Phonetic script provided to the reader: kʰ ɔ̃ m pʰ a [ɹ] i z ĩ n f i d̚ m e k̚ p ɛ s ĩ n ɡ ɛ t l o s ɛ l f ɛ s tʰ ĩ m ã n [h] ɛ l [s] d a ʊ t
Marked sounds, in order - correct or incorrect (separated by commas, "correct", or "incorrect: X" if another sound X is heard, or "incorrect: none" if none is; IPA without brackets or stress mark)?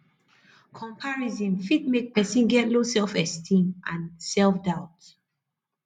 correct, incorrect: s, incorrect: f